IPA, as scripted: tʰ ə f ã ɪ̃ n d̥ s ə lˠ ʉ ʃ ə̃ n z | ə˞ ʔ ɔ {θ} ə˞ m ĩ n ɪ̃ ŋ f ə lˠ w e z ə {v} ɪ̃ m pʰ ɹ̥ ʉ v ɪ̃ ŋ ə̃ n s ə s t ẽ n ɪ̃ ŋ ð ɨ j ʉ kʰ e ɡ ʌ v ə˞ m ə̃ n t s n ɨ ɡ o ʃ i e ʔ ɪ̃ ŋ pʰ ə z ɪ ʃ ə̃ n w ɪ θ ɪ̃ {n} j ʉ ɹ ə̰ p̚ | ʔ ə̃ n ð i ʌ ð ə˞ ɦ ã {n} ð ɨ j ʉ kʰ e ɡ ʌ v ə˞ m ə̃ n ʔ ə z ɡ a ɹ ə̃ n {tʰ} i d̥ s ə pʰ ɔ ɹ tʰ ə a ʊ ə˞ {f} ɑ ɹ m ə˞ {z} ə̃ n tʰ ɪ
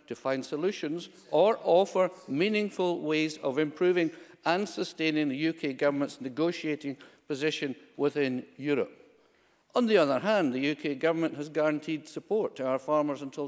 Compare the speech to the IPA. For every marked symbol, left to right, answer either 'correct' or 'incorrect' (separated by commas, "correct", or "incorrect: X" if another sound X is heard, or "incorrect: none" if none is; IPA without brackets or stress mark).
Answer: incorrect: f, correct, correct, correct, correct, correct, correct